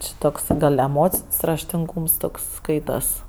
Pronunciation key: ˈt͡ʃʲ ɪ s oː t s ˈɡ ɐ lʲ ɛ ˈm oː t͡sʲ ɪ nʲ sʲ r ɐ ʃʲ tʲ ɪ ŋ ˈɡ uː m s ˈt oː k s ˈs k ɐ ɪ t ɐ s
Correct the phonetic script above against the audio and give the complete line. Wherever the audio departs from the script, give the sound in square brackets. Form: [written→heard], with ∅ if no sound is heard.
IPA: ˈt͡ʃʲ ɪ [s→t] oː [t→k] s ˈɡ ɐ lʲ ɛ ˈm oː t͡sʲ ɪ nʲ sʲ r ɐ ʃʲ tʲ ɪ ŋ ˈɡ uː m s ˈt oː k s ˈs k ɐ ɪ t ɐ s